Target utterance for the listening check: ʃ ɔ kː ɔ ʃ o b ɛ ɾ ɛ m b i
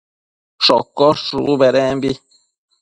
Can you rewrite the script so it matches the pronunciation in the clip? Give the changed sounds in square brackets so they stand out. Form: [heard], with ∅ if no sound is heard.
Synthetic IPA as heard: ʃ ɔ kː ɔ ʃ [u] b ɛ ɾ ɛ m b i